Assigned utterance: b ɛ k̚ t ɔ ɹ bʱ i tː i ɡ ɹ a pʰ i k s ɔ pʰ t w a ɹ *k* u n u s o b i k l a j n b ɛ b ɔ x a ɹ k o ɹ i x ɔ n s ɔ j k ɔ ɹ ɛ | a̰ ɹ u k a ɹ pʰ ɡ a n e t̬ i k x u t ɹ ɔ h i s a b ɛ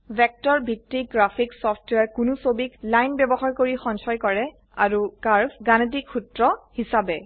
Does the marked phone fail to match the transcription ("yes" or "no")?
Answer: no